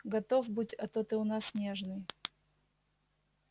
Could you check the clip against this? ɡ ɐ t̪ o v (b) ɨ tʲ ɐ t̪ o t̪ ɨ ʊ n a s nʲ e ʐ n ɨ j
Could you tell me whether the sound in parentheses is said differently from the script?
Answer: no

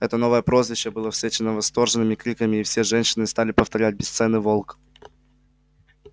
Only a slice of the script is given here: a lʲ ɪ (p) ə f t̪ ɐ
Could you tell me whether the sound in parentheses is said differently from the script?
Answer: no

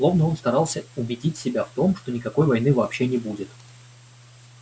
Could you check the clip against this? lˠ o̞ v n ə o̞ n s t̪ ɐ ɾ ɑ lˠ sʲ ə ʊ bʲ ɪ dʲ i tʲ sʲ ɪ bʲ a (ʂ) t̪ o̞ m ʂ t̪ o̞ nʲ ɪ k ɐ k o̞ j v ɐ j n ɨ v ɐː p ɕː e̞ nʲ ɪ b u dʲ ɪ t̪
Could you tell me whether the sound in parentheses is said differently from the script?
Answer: yes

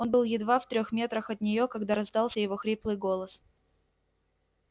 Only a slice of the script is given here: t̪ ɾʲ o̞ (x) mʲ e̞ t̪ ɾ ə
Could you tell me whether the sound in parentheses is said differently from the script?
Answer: no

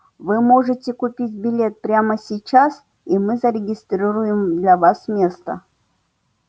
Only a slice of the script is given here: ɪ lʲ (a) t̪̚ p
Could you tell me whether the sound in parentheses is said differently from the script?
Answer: yes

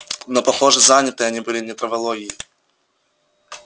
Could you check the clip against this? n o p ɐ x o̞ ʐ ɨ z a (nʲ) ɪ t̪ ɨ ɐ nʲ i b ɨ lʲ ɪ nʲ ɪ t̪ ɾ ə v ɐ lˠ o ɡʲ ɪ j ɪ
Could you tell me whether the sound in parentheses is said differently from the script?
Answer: no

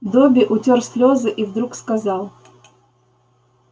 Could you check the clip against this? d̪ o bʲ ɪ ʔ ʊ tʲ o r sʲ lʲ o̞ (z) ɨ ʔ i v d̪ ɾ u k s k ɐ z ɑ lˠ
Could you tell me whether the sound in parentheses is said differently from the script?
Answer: no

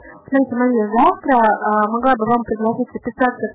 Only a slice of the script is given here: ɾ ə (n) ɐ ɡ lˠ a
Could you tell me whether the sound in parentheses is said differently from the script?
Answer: yes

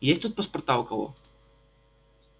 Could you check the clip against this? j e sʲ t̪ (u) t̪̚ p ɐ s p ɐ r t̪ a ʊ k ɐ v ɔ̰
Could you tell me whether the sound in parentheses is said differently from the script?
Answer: no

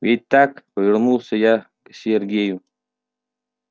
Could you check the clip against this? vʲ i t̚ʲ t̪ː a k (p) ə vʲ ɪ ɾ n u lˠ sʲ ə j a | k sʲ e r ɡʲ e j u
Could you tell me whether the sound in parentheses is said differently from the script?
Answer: no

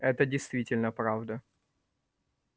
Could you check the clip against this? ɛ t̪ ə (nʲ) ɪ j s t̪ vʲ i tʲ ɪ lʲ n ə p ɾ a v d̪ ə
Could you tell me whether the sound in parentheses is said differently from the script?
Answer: yes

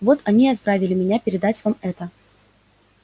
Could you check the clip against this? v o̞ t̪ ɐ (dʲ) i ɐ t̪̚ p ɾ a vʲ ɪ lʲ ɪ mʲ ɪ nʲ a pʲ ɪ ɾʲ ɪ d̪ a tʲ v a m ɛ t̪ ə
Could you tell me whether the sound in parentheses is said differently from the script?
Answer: yes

